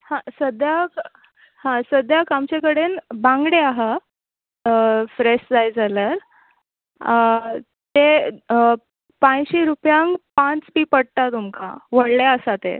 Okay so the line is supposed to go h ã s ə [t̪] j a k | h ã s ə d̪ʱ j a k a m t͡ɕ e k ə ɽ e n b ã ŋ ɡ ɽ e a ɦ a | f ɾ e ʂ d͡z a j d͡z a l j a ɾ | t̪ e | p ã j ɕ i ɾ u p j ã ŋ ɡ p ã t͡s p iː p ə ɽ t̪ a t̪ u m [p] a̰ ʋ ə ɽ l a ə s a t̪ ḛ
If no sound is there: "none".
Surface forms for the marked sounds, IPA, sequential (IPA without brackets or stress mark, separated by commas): d̪, k